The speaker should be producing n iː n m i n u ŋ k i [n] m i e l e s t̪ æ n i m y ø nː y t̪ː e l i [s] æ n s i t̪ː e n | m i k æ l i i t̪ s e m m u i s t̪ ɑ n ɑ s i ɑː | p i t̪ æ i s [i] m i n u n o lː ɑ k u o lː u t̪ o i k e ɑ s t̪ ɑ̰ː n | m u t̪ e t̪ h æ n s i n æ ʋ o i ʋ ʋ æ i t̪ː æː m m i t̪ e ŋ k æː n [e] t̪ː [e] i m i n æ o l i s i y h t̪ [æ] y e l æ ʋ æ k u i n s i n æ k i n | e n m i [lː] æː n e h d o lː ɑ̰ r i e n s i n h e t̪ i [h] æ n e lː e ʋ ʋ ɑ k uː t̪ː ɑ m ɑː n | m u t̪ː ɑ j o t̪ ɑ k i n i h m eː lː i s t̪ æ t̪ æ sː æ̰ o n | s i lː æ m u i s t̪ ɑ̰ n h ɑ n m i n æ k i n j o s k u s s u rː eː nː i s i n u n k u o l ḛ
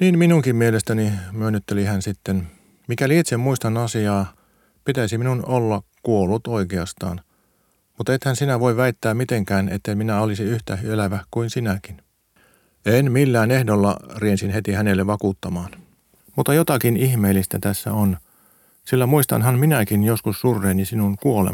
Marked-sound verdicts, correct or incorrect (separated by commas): incorrect, incorrect, correct, correct, correct, correct, correct, correct